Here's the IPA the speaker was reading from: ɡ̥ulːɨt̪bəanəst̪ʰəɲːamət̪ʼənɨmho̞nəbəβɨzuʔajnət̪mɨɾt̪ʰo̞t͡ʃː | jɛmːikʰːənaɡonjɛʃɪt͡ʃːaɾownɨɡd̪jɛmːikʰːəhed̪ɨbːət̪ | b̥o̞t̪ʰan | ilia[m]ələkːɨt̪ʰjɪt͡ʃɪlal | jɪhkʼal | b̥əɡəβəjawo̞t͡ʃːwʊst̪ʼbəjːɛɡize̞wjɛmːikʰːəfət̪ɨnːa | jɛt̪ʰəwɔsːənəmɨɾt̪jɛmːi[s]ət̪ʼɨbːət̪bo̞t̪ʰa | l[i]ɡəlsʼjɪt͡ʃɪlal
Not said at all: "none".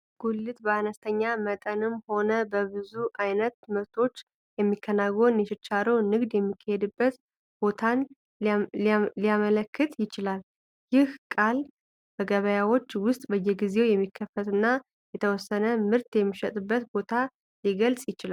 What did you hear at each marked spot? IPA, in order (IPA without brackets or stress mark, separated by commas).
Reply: m, ʃ, i